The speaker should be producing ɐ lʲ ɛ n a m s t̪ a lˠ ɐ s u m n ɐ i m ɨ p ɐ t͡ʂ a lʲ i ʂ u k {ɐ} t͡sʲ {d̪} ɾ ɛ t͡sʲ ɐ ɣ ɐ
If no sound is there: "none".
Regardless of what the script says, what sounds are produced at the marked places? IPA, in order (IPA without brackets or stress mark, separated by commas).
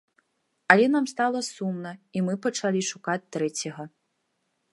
a, t̪